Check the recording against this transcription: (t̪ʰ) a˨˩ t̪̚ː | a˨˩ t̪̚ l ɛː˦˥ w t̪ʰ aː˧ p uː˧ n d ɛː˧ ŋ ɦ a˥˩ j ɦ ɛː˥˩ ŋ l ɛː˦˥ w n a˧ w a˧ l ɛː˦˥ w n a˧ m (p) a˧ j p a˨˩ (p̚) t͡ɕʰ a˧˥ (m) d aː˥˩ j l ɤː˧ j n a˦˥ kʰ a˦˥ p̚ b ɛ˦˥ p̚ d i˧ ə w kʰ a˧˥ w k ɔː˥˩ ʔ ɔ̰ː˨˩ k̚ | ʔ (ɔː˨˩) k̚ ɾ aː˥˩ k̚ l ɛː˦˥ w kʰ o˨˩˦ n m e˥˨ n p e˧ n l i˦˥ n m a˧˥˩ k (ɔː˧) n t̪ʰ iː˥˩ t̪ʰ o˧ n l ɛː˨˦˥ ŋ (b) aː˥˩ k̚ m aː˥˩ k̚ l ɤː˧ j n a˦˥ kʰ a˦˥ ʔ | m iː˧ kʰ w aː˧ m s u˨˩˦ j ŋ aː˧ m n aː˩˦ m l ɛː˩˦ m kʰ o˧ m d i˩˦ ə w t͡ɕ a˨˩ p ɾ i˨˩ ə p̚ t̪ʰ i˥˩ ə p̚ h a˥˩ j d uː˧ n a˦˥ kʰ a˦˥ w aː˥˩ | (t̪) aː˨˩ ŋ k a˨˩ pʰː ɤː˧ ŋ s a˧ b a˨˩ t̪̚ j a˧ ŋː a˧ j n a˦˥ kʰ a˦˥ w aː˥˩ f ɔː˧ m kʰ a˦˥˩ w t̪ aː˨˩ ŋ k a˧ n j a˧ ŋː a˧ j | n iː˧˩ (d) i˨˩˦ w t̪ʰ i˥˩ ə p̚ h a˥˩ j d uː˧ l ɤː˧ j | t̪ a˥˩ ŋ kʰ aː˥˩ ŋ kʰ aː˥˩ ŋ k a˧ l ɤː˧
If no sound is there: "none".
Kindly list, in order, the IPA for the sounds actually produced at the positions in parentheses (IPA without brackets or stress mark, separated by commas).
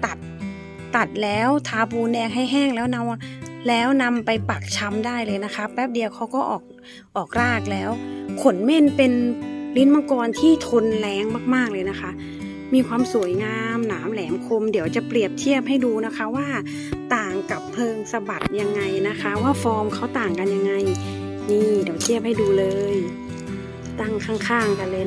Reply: t̪, p, k̚, m, ɔː˨˩, ɔː˧, m, t̪, d